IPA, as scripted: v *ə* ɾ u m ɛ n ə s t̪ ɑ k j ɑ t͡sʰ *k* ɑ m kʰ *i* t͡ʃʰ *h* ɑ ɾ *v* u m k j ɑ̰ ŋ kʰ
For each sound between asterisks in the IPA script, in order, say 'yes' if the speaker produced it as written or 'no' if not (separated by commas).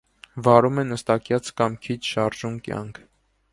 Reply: no, yes, yes, no, no